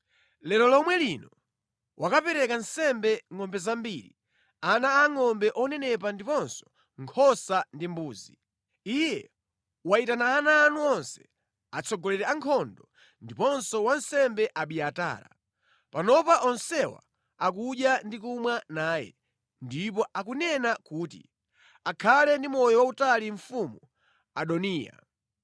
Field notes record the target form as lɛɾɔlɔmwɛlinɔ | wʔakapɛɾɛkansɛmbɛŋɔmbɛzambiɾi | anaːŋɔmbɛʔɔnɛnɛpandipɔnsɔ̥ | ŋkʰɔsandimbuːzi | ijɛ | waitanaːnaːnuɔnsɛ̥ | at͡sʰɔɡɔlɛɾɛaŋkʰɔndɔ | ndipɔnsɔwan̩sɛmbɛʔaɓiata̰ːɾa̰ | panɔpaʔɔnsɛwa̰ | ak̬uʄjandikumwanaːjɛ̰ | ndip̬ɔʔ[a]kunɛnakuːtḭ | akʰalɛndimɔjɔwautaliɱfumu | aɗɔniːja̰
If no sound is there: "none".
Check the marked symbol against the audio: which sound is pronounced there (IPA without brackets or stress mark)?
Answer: a